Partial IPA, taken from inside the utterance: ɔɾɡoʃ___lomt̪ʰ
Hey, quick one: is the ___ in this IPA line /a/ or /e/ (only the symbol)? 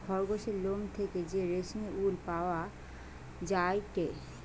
e